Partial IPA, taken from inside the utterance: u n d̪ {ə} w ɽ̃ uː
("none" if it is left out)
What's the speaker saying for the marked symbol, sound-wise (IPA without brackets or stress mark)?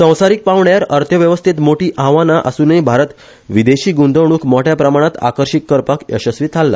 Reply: ə